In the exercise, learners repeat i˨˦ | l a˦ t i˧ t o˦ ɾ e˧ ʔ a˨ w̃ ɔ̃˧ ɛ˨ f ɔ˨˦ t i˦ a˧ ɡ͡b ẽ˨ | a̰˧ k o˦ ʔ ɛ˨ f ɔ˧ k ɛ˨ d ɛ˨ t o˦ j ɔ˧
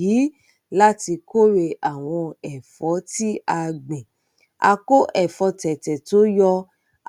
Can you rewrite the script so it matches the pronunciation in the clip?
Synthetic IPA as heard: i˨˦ | l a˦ t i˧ k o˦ ɾ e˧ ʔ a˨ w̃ ɔ̃˧ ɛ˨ f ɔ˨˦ t i˦ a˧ ɡ͡b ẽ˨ | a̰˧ k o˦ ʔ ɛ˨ f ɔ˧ t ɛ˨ t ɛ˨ t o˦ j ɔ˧